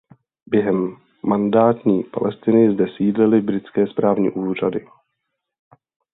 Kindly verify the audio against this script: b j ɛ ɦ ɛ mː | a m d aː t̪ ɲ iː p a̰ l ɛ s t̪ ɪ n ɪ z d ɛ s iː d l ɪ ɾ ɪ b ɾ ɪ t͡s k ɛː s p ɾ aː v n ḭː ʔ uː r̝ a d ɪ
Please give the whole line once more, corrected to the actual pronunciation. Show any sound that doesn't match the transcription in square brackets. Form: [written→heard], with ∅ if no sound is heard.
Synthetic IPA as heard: b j ɛ ɦ ɛ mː | a [m→n] d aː t̪ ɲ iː p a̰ l ɛ s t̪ ɪ n ɪ z d ɛ s iː d l ɪ [ɾ→l] ɪ b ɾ ɪ t͡s k ɛː s p ɾ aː v [n→ɲ] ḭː ʔ uː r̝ a d ɪ